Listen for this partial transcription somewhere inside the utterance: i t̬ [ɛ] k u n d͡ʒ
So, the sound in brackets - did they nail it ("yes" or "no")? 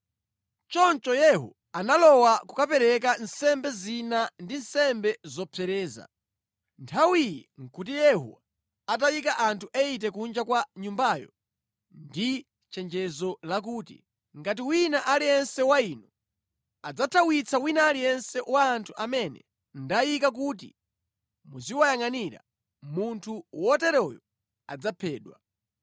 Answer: yes